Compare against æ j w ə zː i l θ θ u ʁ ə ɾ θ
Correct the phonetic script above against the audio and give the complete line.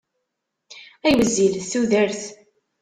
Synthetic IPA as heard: æ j w ə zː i l θ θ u ð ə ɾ θ